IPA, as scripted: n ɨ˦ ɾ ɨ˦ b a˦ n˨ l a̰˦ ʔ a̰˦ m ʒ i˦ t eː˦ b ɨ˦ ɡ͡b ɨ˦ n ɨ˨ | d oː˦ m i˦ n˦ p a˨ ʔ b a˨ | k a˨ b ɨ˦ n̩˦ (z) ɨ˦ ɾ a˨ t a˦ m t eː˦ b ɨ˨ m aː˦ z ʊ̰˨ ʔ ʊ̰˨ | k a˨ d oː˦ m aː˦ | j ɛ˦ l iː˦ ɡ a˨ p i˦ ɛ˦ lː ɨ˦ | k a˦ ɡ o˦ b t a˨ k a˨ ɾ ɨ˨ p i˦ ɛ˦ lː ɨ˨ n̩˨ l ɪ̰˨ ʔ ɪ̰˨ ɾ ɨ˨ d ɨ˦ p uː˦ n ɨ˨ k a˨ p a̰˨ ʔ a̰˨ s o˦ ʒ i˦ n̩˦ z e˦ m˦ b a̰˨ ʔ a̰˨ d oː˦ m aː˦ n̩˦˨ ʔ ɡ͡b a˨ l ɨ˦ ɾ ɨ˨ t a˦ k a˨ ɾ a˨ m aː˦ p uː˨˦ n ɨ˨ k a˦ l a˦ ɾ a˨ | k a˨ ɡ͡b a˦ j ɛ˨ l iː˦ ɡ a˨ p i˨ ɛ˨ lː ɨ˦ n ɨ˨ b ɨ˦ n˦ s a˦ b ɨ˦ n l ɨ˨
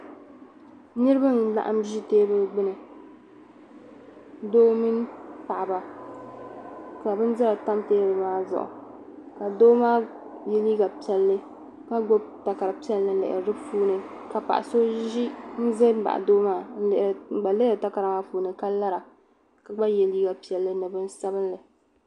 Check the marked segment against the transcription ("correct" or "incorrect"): correct